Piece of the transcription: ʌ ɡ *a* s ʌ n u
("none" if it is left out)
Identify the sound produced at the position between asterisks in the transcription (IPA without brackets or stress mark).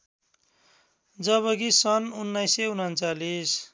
i